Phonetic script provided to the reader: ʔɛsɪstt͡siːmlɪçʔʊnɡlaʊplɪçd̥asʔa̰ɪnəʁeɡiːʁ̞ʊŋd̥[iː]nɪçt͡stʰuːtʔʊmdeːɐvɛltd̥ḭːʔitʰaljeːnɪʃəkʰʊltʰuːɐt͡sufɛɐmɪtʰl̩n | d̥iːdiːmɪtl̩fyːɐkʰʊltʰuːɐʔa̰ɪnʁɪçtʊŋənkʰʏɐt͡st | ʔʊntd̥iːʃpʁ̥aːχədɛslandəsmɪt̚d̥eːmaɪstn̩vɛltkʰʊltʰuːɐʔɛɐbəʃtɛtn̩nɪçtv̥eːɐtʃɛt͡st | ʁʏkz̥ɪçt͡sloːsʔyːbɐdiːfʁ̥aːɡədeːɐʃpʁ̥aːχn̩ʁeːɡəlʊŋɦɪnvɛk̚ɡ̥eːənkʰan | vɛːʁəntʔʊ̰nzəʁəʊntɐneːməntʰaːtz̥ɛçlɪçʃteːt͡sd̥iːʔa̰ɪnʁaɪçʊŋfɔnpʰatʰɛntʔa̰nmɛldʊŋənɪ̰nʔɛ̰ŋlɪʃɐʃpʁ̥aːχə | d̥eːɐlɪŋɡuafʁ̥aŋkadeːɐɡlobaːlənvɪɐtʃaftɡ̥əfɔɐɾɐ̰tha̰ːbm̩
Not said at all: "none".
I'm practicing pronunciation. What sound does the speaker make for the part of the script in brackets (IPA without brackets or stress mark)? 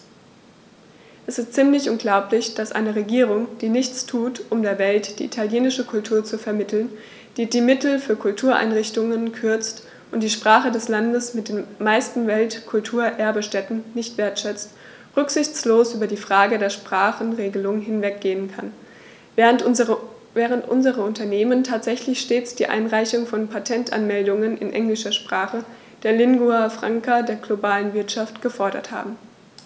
iː